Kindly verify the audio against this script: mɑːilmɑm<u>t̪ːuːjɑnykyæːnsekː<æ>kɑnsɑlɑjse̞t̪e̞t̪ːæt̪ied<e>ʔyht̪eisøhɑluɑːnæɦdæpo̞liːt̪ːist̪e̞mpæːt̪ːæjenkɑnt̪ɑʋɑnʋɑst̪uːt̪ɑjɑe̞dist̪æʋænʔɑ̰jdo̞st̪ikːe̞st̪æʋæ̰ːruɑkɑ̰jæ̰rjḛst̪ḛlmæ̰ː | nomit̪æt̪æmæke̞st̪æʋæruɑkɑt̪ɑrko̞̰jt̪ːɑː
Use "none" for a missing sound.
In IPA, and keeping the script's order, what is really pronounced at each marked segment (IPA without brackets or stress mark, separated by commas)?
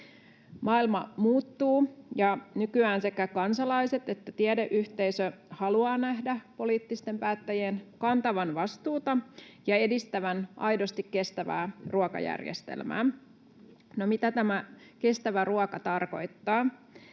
uː, æ, e